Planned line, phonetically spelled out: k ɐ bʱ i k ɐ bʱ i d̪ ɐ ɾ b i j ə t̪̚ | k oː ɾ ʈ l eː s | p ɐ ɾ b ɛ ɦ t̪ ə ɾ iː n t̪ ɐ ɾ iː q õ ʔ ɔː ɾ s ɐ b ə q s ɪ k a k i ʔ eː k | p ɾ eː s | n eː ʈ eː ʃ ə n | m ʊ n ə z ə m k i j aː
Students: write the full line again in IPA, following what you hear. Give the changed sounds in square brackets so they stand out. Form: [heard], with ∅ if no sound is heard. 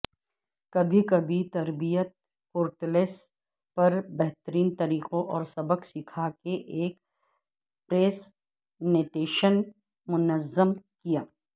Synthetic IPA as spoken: k ɐ bʱ i k ɐ bʱ i [t̪] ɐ ɾ b i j ə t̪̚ | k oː ɾ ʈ l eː s | p ɐ ɾ b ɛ ɦ t̪ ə ɾ iː n t̪ ɐ ɾ iː q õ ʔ ɔː ɾ s ɐ b ə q s ɪ [kʰ] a k [e] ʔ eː k | p ɾ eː s | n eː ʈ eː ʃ ə n | m ʊ n ə z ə m k i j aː